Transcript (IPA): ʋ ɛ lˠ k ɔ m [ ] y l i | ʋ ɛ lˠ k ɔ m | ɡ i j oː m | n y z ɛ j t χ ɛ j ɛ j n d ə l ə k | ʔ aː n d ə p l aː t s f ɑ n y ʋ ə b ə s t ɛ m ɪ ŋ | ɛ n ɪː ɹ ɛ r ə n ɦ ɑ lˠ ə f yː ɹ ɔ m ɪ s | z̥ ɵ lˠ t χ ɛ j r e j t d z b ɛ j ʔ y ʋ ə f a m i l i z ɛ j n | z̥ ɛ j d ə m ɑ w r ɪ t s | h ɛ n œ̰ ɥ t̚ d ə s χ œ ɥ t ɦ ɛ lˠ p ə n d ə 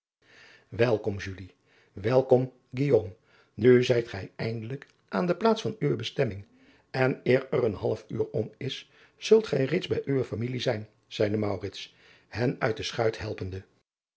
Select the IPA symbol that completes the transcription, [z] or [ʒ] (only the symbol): ʒ